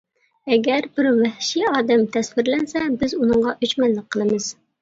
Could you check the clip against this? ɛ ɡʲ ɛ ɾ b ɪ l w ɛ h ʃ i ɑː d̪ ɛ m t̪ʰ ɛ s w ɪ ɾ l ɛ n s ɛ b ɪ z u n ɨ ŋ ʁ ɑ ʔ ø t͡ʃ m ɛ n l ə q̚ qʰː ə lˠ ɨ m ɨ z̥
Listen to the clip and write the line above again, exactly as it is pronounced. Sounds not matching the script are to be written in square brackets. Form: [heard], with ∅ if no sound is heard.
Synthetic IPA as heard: ɛ ɡʲ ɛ ɾ b ɪ [ɾ] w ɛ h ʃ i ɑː d̪ ɛ m t̪ʰ ɛ s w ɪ ɾ l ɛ n s ɛ b ɪ z u n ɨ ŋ ʁ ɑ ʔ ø t͡ʃ m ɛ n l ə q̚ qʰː ə lˠ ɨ m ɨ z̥

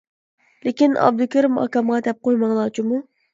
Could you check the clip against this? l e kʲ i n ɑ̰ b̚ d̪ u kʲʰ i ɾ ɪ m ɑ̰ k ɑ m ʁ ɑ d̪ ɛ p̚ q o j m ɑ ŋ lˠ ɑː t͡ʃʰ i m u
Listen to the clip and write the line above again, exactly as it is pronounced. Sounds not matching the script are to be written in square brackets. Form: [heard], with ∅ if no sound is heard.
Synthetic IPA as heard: l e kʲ i n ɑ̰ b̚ d̪ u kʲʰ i ɾ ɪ m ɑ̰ k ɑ m ʁ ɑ d̪ ɛ p̚ q o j m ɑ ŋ lˠ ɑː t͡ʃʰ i m u

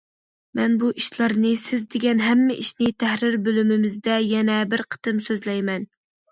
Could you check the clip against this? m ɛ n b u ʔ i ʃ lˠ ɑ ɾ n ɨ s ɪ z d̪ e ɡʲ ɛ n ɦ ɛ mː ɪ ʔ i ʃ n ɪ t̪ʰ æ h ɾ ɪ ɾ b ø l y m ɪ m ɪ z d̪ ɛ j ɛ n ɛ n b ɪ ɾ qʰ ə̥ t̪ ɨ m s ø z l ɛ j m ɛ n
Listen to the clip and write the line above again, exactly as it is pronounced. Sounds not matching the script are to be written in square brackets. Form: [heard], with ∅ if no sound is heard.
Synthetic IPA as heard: m ɛ n b u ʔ i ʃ lˠ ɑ ɾ n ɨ s ɪ z d̪ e ɡʲ ɛ n ɦ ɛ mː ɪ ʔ i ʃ n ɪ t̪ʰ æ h ɾ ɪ ɾ b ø l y m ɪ m ɪ z d̪ ɛ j ɛ n ɛ [∅] b ɪ ɾ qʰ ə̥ t̪ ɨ m s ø z l ɛ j m ɛ n

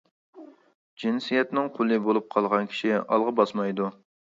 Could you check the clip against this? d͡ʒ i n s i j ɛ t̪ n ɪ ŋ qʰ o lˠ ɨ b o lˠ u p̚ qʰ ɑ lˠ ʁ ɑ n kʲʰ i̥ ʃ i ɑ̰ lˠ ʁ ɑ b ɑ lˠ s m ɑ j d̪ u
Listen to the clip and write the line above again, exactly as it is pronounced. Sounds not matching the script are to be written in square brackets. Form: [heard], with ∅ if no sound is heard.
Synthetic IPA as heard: d͡ʒ i n s i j ɛ t̪ n ɪ ŋ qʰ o lˠ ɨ b o lˠ u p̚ qʰ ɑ lˠ ʁ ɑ n kʲʰ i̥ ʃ i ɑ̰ lˠ ʁ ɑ b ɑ [∅] s m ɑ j d̪ u

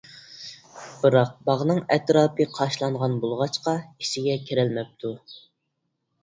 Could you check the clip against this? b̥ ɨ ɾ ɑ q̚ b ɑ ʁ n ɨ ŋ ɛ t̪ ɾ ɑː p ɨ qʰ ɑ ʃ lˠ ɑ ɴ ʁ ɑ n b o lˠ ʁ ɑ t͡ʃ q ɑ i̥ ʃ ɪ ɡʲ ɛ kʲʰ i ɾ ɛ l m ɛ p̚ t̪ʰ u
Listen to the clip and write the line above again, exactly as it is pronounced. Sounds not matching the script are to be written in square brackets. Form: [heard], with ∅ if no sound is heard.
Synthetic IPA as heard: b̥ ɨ ɾ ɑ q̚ b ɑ ʁ n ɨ ŋ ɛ t̪ ɾ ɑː p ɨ qʰ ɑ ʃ lˠ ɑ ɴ ʁ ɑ n b o lˠ ʁ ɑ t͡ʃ q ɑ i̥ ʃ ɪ ɡʲ ɛ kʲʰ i ɾ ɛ l m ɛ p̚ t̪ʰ u

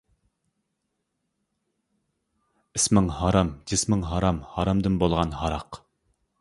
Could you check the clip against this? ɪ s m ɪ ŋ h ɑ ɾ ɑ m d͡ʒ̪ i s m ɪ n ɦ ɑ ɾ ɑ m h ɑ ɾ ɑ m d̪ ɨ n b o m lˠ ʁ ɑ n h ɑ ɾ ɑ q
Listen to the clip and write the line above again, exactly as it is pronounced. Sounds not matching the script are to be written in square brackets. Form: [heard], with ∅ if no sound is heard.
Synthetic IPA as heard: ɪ s m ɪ ŋ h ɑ ɾ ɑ m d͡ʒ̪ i s m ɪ [ŋ] ɦ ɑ ɾ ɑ m h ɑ ɾ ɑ m d̪ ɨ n b o [∅] lˠ ʁ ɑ n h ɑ ɾ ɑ q

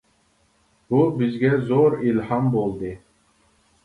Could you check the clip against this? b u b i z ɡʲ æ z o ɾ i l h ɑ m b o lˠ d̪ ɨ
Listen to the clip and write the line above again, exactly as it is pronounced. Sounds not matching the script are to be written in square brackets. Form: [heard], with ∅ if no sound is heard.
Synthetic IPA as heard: b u b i z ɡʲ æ z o ɾ i l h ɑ m b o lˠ d̪ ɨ

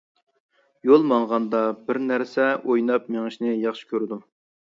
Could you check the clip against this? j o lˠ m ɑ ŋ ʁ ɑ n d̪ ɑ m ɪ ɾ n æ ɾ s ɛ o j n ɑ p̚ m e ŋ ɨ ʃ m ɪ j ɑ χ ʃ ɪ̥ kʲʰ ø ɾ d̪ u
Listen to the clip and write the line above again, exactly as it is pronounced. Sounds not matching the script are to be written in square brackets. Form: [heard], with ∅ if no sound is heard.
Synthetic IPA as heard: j o lˠ m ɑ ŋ ʁ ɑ n d̪ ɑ [b] ɪ ɾ n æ ɾ s ɛ o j n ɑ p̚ m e ŋ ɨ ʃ [n] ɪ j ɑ χ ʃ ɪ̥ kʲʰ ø ɾ d̪ u

